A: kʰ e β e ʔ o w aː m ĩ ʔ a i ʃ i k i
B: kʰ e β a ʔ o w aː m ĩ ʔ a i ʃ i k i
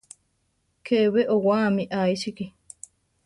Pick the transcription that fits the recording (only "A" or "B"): A